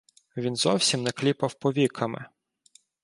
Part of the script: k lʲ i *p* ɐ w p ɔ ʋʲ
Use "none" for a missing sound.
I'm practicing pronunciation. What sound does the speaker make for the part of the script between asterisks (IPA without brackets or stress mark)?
p